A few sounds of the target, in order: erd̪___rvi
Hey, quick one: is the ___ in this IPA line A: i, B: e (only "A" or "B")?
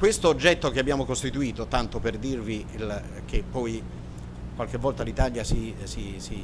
A